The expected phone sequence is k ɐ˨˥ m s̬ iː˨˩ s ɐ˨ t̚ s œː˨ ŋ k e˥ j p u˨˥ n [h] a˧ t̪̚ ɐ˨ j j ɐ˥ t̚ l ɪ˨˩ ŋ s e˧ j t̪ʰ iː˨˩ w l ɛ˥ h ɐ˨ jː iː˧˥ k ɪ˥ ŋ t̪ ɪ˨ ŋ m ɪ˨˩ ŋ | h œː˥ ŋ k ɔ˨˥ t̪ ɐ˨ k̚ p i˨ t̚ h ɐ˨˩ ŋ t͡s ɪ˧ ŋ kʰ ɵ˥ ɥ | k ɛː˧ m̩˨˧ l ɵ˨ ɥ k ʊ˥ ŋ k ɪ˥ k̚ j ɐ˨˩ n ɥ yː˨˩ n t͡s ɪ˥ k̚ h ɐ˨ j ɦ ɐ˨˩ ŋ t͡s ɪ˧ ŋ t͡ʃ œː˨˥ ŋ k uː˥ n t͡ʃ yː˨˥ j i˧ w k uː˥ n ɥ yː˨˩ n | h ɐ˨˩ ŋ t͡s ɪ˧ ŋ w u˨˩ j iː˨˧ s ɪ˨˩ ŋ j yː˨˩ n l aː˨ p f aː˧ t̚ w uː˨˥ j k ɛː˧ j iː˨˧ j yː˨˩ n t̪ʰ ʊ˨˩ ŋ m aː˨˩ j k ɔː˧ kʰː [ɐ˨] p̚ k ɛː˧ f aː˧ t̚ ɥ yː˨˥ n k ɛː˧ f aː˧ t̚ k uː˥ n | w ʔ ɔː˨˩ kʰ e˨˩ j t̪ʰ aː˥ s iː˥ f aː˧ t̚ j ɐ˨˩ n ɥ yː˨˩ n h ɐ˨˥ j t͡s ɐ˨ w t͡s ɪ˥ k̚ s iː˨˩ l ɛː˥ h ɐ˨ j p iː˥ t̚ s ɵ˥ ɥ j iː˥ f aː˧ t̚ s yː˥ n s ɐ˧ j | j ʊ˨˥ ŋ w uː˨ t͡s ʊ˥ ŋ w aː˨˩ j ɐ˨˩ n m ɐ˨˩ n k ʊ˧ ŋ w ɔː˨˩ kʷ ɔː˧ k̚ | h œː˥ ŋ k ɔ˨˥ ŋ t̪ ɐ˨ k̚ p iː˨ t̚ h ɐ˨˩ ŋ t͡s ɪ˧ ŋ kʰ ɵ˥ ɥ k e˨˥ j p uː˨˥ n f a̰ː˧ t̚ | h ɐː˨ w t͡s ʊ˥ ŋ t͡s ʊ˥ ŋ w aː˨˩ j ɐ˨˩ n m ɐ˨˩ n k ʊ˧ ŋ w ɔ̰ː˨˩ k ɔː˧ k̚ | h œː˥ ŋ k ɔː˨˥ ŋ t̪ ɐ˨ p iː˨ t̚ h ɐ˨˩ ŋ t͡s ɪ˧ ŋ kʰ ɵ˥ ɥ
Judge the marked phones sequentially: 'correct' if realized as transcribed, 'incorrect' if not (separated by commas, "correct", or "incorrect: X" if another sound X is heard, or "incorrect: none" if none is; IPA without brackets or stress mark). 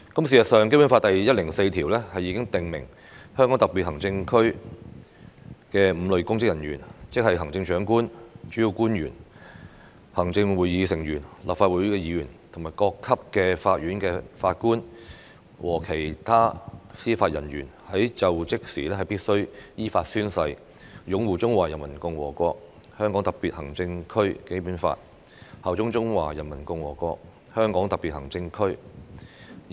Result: incorrect: f, incorrect: ɐ˥